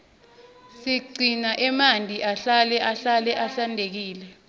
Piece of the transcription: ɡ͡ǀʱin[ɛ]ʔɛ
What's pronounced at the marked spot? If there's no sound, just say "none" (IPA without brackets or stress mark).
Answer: a